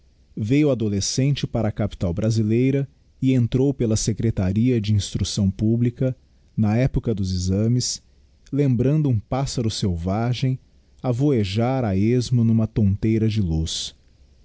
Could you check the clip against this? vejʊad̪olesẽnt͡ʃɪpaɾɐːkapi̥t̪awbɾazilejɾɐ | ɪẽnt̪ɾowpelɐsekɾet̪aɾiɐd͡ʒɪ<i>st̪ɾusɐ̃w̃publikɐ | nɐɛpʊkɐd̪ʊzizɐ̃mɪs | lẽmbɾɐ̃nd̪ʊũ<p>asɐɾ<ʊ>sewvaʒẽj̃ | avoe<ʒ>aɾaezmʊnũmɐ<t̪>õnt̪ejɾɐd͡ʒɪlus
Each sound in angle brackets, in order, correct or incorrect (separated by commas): incorrect, correct, correct, correct, correct